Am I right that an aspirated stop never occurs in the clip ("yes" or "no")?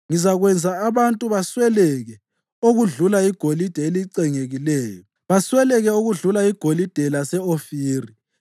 yes